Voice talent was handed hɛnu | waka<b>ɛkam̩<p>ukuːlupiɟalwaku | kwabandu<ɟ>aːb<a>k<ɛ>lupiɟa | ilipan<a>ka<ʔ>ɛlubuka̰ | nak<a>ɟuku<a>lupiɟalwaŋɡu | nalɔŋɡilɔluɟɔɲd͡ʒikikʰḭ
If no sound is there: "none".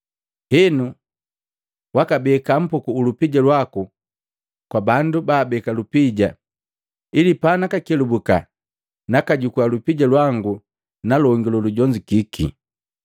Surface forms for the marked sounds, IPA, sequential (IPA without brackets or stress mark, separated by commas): b, p, b, ɛ, a, a, k, a, a